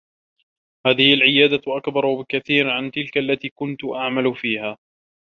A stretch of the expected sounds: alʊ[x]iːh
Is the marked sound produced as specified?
no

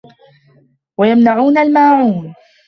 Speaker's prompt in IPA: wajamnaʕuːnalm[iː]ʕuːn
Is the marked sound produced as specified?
no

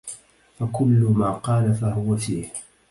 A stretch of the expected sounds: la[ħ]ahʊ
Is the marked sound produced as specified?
no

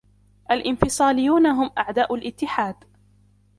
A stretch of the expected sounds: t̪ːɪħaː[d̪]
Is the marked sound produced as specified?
yes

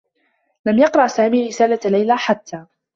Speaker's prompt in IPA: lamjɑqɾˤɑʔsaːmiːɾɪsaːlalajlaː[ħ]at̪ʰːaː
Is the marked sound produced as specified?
yes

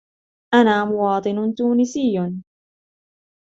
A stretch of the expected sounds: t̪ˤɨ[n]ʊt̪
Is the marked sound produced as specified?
yes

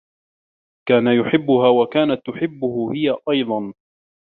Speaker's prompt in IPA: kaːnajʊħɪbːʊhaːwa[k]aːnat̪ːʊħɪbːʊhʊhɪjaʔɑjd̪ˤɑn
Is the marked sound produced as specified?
yes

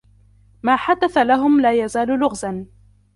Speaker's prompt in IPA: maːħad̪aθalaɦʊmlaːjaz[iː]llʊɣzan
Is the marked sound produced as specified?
no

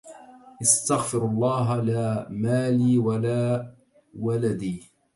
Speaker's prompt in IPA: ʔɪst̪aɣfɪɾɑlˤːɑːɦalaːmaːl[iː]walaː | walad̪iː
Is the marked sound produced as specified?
yes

